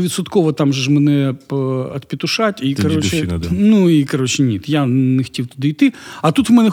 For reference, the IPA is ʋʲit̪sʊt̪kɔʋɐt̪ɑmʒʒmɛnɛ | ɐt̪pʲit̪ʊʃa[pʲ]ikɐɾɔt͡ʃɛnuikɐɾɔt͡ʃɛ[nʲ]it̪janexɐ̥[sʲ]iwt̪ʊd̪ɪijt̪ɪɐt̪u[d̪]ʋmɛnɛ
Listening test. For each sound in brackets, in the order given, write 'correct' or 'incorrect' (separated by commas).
incorrect, correct, incorrect, incorrect